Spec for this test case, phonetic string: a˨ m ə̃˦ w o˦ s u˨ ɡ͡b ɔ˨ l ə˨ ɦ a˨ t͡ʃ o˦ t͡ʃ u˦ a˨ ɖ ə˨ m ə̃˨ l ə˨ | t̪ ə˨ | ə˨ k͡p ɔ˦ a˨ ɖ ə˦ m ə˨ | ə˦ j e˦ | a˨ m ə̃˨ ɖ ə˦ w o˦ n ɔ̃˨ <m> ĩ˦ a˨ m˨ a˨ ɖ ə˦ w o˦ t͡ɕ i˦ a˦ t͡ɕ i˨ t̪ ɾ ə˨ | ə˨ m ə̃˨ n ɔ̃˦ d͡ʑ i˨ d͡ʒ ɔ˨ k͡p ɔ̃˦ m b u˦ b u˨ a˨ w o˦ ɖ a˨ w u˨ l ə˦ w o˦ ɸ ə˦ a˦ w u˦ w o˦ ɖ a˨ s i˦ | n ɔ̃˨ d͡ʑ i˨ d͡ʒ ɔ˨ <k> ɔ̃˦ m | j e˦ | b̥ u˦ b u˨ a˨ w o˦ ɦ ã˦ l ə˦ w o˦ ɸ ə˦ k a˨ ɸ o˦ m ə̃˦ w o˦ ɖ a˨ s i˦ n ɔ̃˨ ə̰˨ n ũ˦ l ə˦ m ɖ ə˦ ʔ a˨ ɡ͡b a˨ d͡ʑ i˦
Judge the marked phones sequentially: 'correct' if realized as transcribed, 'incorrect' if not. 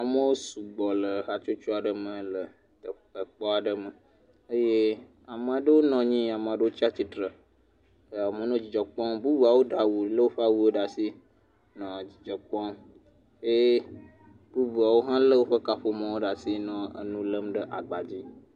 incorrect, incorrect

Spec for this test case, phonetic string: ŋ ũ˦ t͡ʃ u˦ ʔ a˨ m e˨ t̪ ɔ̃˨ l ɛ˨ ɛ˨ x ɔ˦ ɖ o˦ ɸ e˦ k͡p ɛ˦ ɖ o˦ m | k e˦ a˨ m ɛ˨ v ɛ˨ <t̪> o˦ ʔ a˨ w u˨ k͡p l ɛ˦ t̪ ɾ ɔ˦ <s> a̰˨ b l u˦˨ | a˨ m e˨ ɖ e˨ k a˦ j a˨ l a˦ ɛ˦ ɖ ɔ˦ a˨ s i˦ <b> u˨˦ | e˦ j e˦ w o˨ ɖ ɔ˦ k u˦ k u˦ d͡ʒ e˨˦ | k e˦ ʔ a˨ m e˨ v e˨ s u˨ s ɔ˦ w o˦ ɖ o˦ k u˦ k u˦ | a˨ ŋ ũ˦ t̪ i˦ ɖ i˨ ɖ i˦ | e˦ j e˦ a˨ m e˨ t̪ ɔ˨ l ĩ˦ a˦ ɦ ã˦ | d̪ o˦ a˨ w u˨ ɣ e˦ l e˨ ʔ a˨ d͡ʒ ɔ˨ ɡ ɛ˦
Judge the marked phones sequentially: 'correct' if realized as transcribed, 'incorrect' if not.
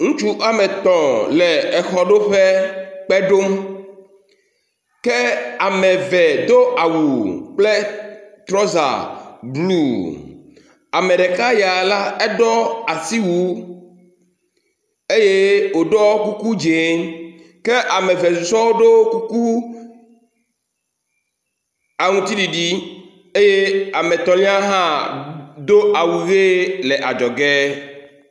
incorrect, incorrect, incorrect

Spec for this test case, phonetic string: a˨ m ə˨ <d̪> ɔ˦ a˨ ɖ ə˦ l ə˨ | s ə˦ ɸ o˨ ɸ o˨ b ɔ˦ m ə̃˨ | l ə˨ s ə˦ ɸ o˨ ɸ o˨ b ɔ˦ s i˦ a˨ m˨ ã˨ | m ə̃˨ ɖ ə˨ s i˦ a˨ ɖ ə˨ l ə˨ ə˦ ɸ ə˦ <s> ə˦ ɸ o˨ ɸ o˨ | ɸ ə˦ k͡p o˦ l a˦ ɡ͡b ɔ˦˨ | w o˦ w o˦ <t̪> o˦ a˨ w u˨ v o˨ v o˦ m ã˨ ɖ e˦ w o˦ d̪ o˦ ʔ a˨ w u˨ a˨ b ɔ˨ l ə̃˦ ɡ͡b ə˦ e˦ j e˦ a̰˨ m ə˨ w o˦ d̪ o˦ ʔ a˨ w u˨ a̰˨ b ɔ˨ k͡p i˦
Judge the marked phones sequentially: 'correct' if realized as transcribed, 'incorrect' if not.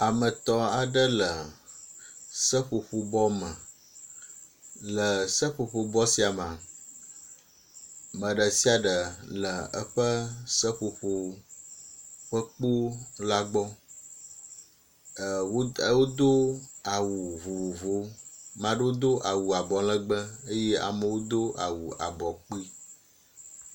incorrect, correct, incorrect

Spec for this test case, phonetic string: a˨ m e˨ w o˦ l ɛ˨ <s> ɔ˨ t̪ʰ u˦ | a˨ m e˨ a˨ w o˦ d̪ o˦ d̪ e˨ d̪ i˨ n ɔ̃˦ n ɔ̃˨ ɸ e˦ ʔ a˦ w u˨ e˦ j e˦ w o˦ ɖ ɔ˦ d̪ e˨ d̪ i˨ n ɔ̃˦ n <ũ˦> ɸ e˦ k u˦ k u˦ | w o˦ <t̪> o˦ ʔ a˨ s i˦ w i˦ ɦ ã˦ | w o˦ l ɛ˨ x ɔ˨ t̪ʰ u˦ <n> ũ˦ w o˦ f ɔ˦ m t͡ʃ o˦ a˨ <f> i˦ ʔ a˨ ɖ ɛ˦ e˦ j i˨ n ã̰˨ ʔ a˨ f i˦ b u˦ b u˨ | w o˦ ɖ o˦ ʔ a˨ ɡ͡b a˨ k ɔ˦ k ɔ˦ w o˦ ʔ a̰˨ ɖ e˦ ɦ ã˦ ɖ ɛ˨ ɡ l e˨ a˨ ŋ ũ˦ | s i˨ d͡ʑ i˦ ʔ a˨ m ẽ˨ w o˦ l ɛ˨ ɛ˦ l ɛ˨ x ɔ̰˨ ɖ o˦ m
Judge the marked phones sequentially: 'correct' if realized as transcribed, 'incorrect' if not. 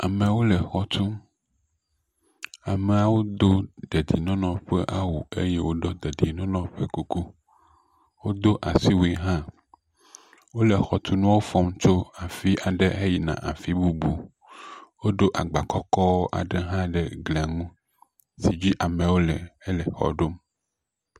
incorrect, incorrect, incorrect, correct, correct

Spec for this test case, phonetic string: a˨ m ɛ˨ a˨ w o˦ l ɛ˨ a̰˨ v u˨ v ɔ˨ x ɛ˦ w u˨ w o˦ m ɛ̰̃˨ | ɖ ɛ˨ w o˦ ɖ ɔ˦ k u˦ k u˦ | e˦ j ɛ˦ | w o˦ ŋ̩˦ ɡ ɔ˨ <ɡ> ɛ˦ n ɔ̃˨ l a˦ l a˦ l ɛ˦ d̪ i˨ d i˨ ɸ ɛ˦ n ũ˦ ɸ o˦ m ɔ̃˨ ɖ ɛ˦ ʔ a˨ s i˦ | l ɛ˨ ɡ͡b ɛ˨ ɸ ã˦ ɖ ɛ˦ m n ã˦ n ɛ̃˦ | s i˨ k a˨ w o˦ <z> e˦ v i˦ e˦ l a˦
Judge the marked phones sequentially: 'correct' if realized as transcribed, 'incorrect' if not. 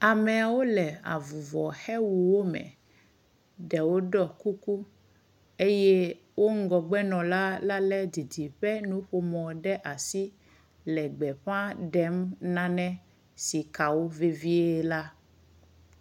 incorrect, incorrect

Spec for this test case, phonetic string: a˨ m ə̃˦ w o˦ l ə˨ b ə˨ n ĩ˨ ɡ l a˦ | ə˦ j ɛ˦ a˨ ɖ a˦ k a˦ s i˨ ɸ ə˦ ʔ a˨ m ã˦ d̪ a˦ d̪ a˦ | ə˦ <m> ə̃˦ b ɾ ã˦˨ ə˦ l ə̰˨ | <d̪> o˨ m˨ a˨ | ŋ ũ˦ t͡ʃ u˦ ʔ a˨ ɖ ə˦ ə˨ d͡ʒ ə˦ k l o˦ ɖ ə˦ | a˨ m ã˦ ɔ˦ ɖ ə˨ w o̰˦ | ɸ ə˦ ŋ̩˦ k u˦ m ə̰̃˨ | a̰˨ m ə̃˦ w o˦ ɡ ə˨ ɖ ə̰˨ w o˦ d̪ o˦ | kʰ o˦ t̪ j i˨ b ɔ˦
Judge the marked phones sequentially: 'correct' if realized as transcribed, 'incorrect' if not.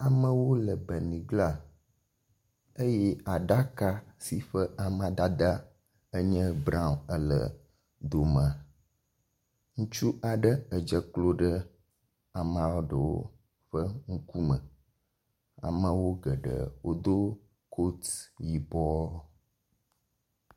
incorrect, correct

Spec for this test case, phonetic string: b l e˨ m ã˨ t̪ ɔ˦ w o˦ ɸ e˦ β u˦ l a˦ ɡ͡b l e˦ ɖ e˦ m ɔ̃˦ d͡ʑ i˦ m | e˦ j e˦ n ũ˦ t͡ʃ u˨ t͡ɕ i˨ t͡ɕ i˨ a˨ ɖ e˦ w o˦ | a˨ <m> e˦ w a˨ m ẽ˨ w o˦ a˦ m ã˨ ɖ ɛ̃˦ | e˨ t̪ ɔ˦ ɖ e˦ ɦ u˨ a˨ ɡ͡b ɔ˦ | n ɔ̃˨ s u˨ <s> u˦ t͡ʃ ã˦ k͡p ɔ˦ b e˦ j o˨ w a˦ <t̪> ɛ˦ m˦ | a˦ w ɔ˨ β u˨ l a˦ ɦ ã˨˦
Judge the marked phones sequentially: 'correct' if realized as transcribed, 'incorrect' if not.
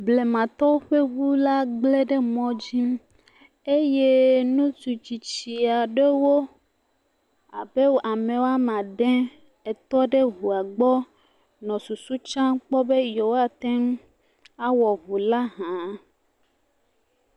incorrect, correct, correct

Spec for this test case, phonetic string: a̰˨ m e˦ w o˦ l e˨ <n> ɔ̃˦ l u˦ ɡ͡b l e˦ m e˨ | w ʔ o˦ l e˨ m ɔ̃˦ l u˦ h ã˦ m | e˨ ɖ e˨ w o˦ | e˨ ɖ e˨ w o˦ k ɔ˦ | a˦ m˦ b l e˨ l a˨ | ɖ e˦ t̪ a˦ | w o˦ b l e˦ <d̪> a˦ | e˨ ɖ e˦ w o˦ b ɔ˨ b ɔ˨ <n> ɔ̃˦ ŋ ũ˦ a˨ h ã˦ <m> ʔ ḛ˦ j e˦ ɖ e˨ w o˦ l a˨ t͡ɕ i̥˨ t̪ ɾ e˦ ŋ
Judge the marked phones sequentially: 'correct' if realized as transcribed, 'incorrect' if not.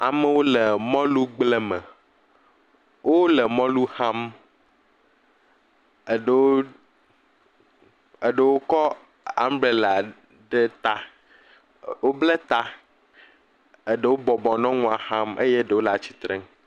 incorrect, incorrect, correct, correct

